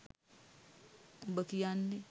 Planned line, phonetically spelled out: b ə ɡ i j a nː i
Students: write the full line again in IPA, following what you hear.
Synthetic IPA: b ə k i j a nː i